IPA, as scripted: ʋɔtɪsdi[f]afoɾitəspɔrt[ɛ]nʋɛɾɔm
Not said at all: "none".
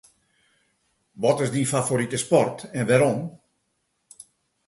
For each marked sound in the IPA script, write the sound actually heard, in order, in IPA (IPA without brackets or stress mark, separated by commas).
f, ɛ